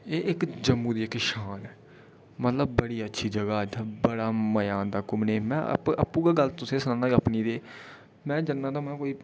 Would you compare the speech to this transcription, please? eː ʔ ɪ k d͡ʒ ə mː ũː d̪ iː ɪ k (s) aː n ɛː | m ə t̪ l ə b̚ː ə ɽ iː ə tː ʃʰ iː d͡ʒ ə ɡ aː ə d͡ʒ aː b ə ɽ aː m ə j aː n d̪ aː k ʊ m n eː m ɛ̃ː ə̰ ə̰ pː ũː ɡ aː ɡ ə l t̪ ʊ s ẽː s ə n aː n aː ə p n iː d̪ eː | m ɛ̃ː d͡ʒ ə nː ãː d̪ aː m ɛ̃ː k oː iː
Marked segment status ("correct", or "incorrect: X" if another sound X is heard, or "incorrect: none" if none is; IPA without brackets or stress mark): incorrect: ʃ